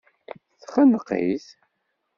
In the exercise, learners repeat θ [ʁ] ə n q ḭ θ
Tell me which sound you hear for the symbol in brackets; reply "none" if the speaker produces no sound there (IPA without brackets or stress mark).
χ